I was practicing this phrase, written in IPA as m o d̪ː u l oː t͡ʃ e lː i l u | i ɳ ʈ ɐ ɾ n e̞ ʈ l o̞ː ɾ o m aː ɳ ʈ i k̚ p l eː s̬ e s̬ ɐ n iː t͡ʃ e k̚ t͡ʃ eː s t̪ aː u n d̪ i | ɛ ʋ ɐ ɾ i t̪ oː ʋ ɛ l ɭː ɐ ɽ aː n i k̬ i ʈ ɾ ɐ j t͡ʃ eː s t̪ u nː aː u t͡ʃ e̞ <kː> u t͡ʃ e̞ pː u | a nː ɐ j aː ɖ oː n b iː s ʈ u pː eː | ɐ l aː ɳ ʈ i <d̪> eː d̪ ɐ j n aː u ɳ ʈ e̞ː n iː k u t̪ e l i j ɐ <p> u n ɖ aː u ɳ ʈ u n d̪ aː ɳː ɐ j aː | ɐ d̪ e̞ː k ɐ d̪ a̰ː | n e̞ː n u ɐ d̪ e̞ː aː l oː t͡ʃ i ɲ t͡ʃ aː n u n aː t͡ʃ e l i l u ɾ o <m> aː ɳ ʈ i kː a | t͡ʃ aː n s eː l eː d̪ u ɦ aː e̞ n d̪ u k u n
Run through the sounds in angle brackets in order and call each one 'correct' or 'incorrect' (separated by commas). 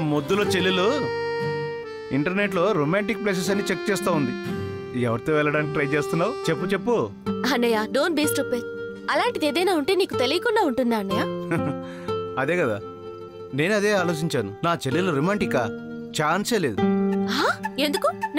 incorrect, correct, incorrect, correct